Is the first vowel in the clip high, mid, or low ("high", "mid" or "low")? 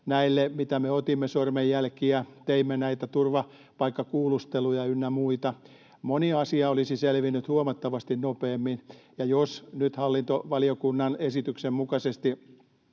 low